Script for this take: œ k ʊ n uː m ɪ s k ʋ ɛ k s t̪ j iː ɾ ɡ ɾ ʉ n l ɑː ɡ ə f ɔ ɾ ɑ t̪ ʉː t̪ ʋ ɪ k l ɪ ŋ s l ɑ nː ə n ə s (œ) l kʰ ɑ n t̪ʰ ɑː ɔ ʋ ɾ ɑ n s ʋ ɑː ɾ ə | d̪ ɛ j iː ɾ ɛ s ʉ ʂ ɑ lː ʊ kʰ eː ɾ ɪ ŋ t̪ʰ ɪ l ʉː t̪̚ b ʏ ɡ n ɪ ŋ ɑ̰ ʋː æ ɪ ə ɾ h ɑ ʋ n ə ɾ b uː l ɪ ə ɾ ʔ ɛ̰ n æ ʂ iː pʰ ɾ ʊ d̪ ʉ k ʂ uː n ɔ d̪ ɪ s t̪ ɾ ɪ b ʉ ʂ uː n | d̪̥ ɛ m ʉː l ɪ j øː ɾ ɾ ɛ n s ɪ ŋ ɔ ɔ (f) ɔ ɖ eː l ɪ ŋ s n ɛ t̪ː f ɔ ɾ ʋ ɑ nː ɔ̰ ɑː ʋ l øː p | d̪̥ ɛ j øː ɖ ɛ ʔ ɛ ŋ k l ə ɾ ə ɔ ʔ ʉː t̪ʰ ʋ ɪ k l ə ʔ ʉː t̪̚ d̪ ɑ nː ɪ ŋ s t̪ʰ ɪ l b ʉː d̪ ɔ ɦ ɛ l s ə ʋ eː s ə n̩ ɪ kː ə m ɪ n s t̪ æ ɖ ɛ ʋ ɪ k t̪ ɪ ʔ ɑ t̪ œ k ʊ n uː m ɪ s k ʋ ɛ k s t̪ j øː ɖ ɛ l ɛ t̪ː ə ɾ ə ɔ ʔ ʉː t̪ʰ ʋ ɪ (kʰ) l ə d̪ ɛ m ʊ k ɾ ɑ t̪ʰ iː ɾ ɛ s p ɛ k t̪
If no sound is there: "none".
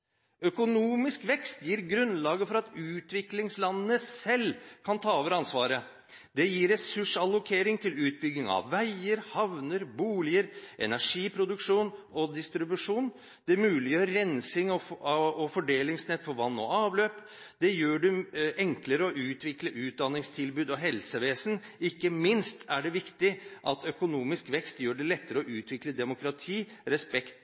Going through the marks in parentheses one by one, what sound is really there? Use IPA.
ɛ, f, k

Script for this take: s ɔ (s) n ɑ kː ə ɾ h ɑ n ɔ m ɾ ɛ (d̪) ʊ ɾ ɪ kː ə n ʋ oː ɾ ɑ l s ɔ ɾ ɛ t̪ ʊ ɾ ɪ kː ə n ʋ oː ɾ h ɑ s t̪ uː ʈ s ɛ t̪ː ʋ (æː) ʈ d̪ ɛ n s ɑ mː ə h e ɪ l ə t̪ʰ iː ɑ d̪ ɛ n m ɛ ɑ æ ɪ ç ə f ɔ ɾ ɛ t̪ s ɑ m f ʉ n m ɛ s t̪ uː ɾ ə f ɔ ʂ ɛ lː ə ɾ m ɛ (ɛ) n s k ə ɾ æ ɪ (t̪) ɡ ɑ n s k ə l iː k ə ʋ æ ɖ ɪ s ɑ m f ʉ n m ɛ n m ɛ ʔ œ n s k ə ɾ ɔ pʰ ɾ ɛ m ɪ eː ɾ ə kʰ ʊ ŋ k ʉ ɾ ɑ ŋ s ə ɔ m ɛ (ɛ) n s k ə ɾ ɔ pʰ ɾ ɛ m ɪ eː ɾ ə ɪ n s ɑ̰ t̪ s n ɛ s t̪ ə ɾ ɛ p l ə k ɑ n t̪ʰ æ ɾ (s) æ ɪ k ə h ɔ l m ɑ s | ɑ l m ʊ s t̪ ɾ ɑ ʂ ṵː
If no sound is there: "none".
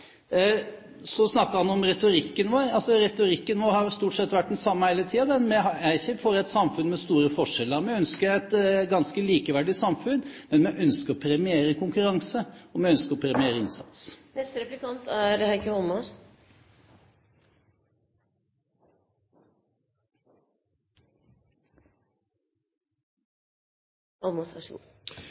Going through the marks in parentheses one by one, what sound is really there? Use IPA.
s, t̪, æ, œ, t̪, œ, h

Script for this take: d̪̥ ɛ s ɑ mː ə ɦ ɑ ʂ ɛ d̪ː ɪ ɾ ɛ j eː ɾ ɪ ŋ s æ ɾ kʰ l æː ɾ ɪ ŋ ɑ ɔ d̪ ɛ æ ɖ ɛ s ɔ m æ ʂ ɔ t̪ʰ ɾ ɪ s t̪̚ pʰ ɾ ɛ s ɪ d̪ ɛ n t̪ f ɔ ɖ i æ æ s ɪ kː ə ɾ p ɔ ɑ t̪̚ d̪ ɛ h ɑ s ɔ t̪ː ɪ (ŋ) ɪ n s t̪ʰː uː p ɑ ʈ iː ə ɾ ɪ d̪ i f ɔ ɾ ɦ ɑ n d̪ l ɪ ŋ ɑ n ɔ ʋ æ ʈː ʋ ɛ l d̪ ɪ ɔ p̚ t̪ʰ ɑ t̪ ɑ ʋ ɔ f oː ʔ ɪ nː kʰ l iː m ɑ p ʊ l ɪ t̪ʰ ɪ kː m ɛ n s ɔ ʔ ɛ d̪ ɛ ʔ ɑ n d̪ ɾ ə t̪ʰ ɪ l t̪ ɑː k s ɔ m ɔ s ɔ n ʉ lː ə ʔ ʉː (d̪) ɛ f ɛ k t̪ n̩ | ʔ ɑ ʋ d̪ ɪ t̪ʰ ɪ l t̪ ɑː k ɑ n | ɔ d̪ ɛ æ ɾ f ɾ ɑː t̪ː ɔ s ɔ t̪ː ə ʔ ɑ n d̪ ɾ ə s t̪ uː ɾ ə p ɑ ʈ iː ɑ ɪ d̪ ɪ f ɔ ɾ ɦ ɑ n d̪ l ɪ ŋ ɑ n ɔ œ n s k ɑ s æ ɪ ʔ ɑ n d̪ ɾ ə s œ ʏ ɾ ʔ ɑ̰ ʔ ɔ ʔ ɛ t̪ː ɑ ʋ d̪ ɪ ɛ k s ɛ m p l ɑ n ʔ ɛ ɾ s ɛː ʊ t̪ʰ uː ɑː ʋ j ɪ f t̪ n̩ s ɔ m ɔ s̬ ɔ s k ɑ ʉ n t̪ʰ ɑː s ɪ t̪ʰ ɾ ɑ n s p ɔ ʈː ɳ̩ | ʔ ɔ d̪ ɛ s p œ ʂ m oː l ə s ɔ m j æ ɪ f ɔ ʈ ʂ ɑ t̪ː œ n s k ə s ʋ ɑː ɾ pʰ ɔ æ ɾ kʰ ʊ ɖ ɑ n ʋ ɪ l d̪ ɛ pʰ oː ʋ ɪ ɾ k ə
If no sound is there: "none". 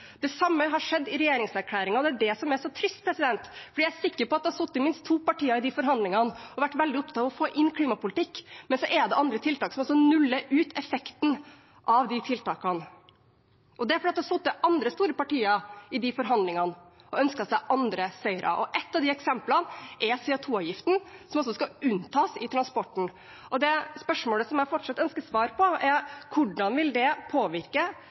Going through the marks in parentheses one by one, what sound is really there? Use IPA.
m, t̪

